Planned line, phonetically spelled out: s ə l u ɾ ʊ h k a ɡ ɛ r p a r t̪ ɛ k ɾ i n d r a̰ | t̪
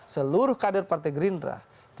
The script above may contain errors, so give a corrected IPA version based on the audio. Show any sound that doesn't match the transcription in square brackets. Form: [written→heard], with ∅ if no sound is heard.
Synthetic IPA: s ə l u ɾ ʊ h k a [ɡ→d] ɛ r p a r t̪ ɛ [k→ɡ] ɾ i n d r a̰ | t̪